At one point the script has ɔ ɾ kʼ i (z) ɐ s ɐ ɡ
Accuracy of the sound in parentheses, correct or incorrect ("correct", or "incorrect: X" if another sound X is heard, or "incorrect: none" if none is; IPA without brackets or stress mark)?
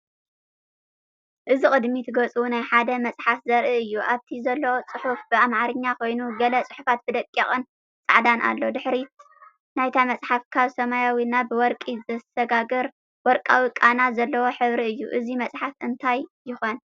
correct